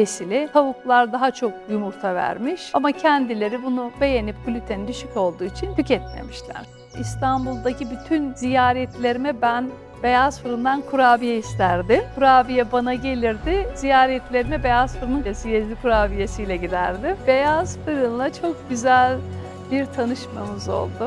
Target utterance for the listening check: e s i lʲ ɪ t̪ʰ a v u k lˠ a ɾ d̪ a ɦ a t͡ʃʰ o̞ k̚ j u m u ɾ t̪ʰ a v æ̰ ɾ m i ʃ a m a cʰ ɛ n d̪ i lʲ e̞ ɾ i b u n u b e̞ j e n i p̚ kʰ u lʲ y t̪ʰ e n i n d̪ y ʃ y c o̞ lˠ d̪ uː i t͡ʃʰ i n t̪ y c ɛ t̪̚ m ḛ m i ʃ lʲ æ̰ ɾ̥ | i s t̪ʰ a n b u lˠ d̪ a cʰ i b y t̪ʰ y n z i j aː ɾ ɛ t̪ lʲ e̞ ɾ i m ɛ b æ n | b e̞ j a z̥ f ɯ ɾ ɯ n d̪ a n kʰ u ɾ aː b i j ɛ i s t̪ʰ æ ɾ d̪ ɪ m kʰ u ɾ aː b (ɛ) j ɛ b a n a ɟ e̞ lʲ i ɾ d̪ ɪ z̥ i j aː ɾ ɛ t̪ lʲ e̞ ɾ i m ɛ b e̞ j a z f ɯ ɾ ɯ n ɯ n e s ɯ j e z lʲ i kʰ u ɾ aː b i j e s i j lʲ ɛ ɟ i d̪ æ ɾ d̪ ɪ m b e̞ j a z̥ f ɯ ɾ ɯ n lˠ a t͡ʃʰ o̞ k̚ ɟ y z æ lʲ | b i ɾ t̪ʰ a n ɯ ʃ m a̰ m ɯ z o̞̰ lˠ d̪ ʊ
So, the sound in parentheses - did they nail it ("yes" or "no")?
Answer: no